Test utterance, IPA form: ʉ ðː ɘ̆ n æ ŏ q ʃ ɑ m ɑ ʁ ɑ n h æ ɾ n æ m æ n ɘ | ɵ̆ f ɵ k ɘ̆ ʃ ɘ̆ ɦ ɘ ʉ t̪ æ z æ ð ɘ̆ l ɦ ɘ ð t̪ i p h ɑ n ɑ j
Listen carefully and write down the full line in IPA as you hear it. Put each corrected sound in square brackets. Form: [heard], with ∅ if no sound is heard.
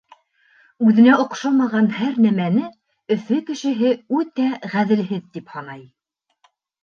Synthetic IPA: ʉ [ð] ɘ̆ n æ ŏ q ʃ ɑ m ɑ ʁ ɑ n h æ ɾ n æ m æ n ɘ | ɵ̆ f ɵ k ɘ̆ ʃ ɘ̆ ɦ ɘ ʉ t̪ æ [ʁ] æ ð ɘ̆ l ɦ ɘ ð t̪ i p h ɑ n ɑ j